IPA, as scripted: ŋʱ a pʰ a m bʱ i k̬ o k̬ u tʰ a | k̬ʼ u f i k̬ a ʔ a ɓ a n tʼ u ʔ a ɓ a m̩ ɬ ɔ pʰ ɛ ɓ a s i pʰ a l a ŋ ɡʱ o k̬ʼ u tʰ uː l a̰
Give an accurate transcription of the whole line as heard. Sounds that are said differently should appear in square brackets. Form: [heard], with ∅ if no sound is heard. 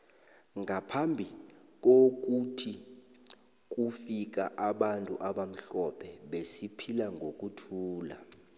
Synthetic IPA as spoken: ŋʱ a pʰ a m bʱ i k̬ o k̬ u tʰ [i] | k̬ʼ u f i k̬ a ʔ a ɓ a n tʼ u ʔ a ɓ a m̩ ɬ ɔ pʰ ɛ ɓ [e] s i pʰ [i] l a ŋ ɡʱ o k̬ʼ u tʰ uː l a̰